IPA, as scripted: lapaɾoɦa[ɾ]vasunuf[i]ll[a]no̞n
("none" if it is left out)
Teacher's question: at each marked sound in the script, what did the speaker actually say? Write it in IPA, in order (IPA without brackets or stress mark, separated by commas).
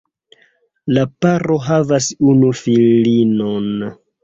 none, i, i